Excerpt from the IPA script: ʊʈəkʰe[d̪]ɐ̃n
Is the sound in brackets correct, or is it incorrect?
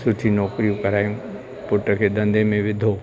correct